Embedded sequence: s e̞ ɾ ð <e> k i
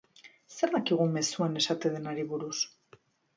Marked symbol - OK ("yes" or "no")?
no